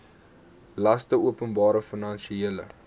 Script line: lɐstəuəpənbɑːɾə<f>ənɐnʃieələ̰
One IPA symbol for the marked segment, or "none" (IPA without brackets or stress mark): f